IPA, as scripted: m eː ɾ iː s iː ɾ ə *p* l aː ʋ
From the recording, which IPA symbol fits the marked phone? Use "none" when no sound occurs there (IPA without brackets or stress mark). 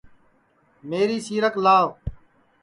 k